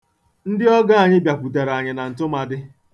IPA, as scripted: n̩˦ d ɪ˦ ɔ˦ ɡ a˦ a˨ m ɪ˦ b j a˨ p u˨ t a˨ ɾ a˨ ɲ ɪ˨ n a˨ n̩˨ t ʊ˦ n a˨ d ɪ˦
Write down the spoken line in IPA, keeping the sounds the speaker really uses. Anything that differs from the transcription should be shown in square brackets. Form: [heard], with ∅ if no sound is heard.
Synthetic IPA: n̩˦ d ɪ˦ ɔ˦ ɡ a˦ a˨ [ɲ] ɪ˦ b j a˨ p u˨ t [e˨] ɾ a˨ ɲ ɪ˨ n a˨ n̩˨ t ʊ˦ [m] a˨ d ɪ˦

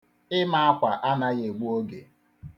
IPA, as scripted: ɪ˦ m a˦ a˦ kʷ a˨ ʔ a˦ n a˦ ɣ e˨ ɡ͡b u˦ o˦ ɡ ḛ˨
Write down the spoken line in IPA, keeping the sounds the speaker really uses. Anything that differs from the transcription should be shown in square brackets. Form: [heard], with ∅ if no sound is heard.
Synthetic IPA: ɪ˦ m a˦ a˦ kʷ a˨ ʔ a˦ n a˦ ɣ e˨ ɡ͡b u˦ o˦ ɡ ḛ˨

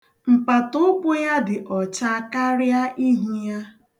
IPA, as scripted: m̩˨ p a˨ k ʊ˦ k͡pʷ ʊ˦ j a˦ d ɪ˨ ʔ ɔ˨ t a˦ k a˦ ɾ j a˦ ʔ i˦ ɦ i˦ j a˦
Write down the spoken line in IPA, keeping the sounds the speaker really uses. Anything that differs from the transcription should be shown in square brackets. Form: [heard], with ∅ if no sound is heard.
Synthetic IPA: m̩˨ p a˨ [t] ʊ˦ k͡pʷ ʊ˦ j a˦ d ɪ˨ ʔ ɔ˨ [t͡ʃ] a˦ k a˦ ɾ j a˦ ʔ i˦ ɦ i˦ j a˦

